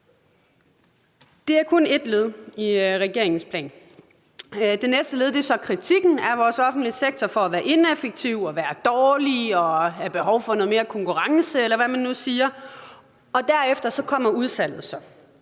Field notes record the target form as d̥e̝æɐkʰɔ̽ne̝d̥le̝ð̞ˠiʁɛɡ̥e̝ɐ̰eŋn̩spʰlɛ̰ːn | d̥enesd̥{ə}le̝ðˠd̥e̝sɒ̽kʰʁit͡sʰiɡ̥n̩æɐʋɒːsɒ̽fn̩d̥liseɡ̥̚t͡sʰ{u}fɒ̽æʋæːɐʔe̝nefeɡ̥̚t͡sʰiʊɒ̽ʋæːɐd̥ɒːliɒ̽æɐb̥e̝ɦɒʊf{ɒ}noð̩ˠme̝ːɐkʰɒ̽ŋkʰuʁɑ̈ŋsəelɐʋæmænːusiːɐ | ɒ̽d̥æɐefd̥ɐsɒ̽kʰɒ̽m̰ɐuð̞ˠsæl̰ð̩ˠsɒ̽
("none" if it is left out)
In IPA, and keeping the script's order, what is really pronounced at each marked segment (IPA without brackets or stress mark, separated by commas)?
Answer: ə, ɒ, ɒ